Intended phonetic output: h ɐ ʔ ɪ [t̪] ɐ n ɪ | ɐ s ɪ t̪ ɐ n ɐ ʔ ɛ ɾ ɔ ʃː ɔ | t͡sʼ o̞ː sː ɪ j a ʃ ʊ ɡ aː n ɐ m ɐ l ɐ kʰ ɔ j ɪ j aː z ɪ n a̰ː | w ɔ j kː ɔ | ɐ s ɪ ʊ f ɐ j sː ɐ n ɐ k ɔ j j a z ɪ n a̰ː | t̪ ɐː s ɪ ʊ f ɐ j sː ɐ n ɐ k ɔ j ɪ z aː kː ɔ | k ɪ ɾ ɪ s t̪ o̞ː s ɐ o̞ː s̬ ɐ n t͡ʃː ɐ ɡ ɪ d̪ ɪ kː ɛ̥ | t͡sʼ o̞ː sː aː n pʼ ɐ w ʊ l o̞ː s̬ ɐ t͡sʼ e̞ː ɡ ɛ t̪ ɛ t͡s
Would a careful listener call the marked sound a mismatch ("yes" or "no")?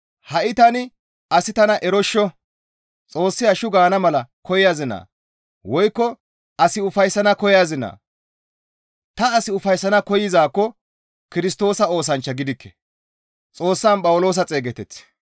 no